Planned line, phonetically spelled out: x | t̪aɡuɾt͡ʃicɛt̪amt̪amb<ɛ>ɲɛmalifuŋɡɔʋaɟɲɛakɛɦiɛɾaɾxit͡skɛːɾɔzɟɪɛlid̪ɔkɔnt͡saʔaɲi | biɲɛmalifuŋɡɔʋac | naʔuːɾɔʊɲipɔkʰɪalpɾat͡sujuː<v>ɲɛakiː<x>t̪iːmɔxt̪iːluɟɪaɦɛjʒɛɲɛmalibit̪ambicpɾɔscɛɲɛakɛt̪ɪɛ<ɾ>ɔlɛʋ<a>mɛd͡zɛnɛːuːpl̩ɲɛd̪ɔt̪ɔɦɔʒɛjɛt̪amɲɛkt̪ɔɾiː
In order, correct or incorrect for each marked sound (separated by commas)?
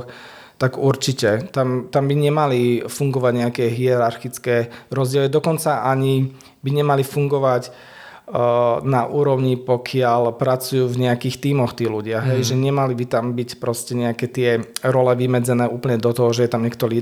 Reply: incorrect, correct, correct, correct, incorrect